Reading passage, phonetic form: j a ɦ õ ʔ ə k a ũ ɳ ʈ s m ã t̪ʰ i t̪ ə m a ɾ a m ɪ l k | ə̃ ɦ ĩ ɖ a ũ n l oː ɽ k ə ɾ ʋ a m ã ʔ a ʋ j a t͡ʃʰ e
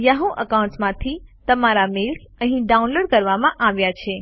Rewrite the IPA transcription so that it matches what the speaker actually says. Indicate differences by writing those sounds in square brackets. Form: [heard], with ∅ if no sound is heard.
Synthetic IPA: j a ɦ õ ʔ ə k a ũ ɳ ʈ s m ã t̪ʰ i t̪ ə m a ɾ a m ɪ l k | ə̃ ɦ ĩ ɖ a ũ n l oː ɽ k ə ɾ ʋ a m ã ʔ a ʋ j a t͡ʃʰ e